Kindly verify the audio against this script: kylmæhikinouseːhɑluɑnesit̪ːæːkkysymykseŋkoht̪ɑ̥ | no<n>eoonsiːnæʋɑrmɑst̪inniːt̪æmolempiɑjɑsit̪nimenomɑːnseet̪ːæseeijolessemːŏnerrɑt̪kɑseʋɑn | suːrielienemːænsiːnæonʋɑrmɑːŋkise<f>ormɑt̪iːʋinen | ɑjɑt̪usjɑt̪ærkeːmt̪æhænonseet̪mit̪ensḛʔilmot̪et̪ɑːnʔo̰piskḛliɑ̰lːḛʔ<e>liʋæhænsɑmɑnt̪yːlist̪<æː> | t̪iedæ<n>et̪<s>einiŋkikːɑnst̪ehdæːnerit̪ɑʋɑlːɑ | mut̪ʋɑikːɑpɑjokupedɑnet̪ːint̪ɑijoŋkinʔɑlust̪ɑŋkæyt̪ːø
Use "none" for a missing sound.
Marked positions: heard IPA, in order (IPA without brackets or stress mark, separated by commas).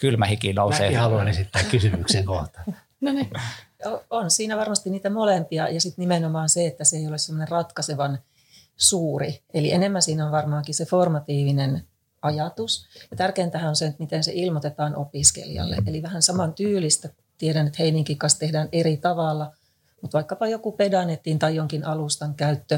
n, f, e, æ, n, h